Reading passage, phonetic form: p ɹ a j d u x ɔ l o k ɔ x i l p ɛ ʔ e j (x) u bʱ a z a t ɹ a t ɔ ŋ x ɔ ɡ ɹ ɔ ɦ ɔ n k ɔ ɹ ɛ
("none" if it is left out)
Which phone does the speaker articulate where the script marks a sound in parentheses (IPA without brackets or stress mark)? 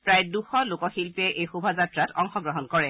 x